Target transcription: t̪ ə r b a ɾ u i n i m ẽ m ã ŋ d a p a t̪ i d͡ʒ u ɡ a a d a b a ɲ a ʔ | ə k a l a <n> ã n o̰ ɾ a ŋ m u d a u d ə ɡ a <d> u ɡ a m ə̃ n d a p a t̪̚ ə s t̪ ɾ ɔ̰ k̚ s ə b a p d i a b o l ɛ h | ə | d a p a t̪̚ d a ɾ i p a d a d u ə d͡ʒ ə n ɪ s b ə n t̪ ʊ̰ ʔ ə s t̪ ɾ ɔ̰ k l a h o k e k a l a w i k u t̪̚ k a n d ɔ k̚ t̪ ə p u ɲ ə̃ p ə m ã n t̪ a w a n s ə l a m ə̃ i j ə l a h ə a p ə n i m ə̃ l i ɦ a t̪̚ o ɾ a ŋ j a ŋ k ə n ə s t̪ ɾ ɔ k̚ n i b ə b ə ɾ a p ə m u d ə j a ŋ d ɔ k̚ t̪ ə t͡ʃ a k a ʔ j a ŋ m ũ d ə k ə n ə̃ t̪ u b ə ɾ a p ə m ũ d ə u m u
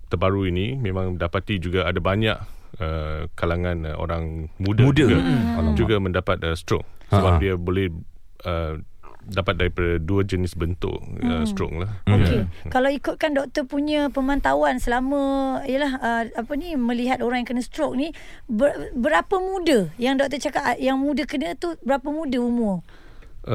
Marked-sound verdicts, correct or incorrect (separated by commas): incorrect, incorrect